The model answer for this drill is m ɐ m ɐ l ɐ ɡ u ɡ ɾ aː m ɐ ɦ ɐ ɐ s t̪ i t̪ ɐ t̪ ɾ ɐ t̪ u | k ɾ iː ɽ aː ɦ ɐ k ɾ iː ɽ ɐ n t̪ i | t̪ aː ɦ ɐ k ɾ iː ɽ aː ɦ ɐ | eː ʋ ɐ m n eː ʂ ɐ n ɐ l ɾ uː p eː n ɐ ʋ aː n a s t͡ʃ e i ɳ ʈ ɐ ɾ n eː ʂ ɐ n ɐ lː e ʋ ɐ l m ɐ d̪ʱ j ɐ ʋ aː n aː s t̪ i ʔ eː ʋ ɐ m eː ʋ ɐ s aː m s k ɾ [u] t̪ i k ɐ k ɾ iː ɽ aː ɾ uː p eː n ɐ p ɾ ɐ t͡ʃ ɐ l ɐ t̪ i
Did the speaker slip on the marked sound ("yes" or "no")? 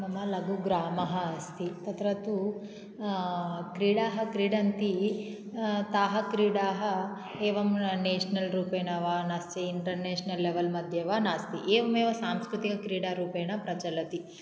no